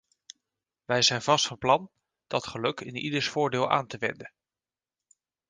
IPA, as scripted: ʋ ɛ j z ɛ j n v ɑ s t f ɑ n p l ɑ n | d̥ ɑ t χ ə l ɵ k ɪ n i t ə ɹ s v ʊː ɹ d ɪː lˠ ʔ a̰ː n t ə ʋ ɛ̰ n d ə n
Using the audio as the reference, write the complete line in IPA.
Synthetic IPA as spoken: ʋ ɛ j z ɛ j n v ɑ s t f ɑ n p l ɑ n | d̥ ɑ t χ ə l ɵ k ɪ n i d ə ɹ s f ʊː ɹ d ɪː lˠ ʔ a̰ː n t ə ʋ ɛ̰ n d ə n